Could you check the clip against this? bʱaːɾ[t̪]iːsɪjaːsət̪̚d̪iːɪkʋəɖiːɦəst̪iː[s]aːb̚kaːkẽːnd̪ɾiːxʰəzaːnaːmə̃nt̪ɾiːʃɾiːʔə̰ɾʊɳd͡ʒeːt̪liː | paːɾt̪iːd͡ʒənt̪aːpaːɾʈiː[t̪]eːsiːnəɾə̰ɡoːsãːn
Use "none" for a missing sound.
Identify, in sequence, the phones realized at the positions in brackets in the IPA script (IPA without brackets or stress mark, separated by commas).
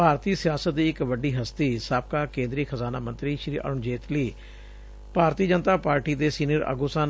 t̪, s, d̪